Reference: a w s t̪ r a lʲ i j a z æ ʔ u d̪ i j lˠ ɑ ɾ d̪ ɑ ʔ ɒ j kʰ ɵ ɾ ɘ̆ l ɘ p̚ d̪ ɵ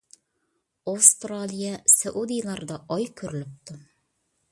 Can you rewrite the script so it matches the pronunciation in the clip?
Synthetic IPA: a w s t̪ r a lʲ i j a s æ ʔ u d̪ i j lˠ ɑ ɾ d̪ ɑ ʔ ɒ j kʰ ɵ ɾ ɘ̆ l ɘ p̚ t̪ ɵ